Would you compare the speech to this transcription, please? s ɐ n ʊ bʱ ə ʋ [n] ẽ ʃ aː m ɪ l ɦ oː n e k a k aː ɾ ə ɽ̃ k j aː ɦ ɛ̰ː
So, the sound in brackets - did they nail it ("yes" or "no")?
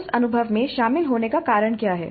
no